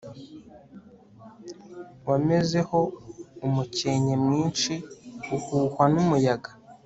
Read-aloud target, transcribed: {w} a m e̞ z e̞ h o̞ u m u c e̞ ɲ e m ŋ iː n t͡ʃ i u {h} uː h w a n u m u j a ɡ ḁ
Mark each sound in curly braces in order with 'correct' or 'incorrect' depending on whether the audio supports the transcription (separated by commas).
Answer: correct, correct